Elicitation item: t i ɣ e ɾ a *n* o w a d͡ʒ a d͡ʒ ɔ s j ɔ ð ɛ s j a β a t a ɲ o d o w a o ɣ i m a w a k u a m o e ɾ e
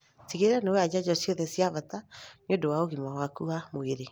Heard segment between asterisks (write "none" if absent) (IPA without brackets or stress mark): n